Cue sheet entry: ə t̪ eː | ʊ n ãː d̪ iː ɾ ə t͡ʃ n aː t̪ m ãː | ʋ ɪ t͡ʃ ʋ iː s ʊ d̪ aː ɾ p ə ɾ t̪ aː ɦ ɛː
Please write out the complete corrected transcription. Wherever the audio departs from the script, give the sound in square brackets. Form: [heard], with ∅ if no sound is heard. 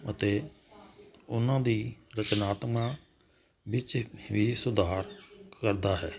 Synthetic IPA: ə t̪ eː | ʊ n ãː d̪ iː ɾ ə t͡ʃ n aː t̪ m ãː | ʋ ɪ t͡ʃ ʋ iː s ʊ d̪ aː ɾ [k] ə ɾ [d̪] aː ɦ ɛː

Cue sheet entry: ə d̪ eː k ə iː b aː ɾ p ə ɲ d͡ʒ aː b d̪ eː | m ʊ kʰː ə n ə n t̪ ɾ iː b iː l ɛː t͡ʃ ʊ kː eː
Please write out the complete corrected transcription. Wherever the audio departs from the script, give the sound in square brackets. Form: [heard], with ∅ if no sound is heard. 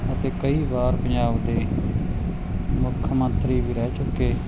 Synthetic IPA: ə [t̪] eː k ə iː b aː ɾ p ə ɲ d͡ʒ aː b d̪ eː | m ʊ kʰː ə [m] ə n t̪ ɾ iː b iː [ɾ] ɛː t͡ʃ ʊ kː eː

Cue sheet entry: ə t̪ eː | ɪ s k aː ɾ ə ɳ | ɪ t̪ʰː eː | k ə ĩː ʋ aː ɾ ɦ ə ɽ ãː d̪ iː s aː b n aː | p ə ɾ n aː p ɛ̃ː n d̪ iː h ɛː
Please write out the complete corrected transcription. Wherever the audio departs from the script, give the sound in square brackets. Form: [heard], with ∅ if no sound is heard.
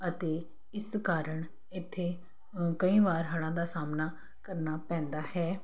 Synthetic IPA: ə t̪ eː | ɪ s k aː ɾ ə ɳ | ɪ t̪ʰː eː | k ə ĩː ʋ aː ɾ ɦ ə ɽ ãː d̪ [aː] s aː [m] n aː | [k] ə ɾ n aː p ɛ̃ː n d̪ [aː] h ɛː

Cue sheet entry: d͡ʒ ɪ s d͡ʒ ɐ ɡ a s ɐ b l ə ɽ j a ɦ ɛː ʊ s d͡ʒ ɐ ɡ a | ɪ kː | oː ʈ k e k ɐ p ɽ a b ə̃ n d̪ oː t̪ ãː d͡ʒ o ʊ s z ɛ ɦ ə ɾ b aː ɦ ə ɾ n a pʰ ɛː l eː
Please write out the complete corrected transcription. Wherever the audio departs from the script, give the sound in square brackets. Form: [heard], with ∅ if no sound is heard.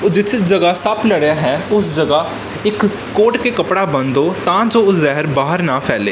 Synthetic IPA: d͡ʒ ɪ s d͡ʒ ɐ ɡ a s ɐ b l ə ɽ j a ɦ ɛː ʊ s d͡ʒ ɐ ɡ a | ɪ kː | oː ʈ k e k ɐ p ɽ a b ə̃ n d̪ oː t̪ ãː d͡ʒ o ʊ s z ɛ ɦ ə ɾ b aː ɦ ə ɾ n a pʰ ɛː l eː

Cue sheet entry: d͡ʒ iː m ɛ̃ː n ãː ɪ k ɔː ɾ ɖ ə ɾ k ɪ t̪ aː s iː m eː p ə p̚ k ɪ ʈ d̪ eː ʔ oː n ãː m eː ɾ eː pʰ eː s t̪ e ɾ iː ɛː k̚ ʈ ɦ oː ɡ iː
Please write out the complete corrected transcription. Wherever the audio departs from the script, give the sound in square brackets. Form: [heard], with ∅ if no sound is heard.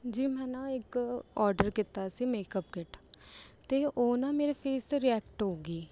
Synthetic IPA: d͡ʒ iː m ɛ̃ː n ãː ɪ k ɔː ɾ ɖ ə ɾ k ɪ t̪ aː s iː m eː [k] ə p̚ k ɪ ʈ [t̪] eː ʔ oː n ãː m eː ɾ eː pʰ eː s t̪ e ɾ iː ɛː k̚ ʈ ɦ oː ɡ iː

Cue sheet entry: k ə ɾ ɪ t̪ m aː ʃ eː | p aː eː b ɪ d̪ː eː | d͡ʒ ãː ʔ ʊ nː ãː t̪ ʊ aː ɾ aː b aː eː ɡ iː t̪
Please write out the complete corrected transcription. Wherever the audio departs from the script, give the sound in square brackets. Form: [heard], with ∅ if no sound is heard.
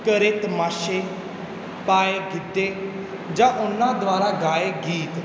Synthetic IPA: k ə ɾ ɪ t̪ m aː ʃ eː | p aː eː [ɡ] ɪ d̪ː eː | d͡ʒ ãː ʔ ʊ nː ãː [d̪] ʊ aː ɾ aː [ɡ] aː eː ɡ iː t̪

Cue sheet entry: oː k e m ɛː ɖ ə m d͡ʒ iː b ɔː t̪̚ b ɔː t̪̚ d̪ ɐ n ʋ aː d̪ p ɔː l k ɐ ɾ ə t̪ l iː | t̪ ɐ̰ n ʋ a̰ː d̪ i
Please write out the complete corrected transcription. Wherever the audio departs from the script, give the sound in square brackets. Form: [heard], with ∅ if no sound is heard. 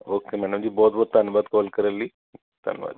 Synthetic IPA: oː k e m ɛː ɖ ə m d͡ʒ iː b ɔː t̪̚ b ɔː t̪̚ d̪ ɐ n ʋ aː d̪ [k] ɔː l k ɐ ɾ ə [∅] l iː | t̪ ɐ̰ n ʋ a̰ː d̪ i

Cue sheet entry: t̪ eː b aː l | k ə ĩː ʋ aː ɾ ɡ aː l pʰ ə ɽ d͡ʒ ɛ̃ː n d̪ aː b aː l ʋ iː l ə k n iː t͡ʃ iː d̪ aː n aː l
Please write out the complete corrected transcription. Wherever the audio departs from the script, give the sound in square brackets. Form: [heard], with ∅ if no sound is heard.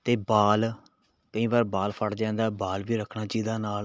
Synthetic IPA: t̪ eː b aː l | k ə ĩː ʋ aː ɾ [b] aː l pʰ ə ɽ d͡ʒ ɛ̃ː n d̪ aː b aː l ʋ iː [ɾ] ə [kʰ] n [aː] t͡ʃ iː d̪ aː n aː l

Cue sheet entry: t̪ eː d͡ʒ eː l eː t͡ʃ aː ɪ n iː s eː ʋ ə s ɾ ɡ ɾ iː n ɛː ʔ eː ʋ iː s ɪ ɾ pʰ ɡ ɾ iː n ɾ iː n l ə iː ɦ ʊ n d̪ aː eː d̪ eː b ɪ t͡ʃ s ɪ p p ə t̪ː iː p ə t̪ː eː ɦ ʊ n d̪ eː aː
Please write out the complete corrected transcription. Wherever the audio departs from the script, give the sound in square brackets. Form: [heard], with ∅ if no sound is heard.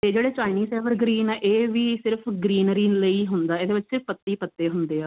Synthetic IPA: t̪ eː d͡ʒ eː [ɽ] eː t͡ʃ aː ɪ n iː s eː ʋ ə [∅] ɾ ɡ ɾ iː n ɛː ʔ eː ʋ iː s ɪ ɾ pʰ ɡ ɾ iː n ɾ iː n l ə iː ɦ ʊ n d̪ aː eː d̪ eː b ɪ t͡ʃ s ɪ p p ə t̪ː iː p ə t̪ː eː ɦ ʊ n d̪ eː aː

